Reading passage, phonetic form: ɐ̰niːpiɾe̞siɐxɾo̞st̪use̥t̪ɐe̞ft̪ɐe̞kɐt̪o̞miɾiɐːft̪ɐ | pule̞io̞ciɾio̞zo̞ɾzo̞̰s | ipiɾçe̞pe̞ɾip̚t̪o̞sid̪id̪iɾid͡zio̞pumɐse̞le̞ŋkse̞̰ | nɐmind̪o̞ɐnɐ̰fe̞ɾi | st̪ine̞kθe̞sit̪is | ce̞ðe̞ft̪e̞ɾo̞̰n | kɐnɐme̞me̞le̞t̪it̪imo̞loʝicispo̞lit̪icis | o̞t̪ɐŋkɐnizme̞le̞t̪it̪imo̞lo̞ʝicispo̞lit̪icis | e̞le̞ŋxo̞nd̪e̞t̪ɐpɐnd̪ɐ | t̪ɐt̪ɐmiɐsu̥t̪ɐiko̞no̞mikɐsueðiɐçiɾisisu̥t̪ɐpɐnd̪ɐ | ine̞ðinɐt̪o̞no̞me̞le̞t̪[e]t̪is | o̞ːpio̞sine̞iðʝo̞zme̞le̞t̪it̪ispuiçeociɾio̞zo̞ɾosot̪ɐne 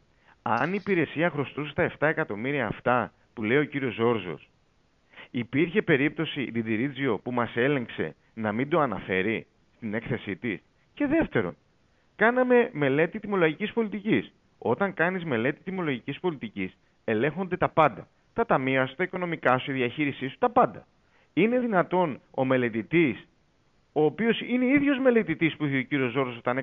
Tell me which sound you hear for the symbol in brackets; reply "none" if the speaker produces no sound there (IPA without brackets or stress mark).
i